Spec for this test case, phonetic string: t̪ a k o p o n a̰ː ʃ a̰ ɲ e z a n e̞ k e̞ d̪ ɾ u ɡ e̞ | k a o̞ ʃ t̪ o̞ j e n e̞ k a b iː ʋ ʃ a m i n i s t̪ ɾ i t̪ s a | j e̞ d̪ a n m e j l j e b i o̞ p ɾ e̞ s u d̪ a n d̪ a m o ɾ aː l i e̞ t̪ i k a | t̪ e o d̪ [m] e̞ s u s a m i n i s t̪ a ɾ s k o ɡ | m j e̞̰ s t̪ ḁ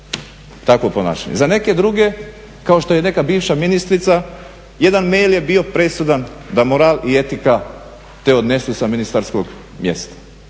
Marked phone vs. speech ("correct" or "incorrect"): incorrect